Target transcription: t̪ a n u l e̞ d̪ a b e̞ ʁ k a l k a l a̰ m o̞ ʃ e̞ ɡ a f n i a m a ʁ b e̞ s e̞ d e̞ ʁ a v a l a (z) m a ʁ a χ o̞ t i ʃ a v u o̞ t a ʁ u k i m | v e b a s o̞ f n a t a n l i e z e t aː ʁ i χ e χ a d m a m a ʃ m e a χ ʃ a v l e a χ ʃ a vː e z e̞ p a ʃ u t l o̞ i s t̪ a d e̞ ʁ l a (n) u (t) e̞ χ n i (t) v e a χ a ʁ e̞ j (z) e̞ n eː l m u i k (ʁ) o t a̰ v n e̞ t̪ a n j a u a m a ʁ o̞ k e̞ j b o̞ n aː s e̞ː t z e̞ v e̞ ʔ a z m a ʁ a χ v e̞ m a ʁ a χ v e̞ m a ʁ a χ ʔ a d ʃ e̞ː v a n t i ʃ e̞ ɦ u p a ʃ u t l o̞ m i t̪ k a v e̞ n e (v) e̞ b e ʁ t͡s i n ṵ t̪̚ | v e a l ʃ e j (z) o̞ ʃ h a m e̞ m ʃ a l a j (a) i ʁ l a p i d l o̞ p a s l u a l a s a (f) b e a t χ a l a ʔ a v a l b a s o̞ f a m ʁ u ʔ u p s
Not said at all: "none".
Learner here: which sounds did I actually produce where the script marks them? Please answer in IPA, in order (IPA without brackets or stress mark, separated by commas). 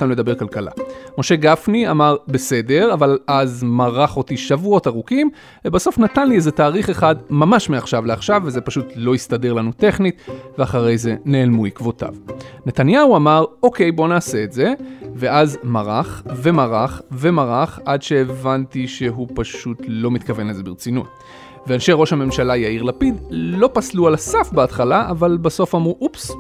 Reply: z, n, t, t, z, v, z, ʁ, a, f